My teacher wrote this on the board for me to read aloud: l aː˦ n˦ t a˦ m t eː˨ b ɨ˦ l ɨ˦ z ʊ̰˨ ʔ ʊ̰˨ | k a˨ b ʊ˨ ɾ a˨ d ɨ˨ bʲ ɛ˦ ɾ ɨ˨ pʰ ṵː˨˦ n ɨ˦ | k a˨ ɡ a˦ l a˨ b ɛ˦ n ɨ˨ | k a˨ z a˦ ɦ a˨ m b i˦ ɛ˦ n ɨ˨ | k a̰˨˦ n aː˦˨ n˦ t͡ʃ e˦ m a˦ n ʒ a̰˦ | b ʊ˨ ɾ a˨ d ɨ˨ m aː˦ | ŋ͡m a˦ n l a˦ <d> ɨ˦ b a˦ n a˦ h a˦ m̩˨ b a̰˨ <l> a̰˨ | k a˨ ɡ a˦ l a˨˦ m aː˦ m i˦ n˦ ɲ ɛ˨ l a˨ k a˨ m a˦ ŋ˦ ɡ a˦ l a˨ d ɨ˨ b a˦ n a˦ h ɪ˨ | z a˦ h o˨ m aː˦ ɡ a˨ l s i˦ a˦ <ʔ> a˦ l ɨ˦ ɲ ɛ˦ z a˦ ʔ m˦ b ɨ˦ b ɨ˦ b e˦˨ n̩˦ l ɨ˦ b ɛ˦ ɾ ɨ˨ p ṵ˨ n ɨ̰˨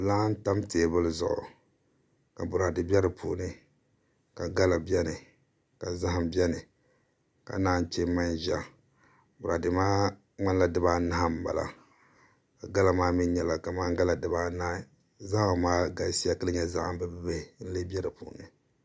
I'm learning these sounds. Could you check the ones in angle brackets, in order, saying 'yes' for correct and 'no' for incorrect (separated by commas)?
yes, yes, no